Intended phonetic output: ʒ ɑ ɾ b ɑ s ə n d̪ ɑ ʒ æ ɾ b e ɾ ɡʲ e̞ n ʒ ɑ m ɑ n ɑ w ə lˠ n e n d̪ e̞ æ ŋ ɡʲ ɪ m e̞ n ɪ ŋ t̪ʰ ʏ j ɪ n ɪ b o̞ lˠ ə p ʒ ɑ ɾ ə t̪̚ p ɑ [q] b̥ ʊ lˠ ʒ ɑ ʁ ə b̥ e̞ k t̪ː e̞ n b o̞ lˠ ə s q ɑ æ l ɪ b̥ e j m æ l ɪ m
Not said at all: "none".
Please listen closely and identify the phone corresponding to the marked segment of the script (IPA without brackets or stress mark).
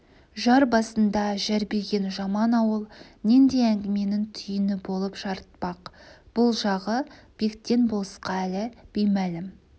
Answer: q